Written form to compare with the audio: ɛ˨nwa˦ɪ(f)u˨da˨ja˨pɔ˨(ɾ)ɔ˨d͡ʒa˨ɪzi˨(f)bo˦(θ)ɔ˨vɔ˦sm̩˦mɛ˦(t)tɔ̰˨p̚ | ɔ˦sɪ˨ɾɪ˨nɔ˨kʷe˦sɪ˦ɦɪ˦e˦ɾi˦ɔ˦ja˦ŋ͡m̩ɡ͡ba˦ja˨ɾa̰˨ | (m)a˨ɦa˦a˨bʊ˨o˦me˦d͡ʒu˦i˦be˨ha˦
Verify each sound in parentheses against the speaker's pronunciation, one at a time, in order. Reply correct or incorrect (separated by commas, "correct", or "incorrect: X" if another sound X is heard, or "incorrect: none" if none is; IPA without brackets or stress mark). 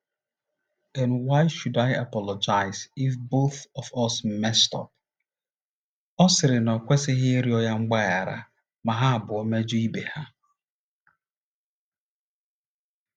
incorrect: ʃ, incorrect: l, correct, correct, incorrect: s, correct